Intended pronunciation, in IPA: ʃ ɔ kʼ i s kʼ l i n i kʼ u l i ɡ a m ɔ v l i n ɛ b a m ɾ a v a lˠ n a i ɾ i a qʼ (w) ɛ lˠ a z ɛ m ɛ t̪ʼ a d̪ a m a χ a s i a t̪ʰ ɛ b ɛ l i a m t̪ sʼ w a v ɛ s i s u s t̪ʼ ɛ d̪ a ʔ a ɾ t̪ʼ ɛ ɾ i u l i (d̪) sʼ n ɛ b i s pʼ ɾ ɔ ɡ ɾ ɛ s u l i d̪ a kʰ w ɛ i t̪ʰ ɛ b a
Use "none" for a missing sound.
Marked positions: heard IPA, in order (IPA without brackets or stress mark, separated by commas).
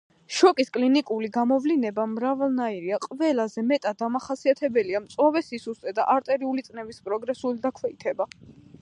v, t̪